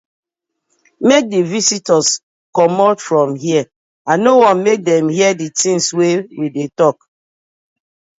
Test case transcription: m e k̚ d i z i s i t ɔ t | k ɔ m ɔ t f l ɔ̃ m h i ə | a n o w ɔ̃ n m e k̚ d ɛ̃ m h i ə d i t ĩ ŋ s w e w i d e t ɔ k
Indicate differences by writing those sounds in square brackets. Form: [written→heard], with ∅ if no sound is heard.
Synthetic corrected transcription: m e k̚ d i [z→v] i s i t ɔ [t→s] | k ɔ m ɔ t f [l→ɹ] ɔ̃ m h i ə | a n o w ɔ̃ n m e k̚ d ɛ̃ m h i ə d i t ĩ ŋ s w e w i d e t ɔ k